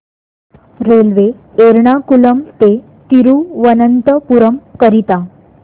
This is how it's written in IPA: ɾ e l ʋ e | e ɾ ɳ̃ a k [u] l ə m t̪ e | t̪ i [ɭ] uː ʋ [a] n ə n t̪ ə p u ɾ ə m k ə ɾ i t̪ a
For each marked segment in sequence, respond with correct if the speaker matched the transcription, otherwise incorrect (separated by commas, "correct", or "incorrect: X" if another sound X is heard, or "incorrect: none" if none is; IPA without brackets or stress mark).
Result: correct, incorrect: ɾ, incorrect: ə